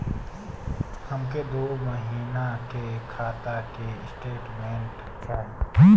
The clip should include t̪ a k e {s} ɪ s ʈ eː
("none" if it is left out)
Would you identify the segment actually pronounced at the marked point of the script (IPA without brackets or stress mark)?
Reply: none